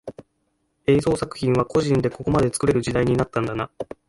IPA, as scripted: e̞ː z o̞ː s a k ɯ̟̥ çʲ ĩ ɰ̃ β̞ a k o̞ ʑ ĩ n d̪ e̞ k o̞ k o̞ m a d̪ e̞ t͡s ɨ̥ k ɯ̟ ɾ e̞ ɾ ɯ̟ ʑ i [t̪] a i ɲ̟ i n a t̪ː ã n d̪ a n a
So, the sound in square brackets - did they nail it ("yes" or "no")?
no